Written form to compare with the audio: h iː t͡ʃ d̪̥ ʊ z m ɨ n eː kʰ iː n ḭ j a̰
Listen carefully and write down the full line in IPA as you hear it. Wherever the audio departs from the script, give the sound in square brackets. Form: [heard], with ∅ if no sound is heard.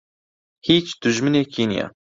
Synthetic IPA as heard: h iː t͡ʃ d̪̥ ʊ [ʒ] m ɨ n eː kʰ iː n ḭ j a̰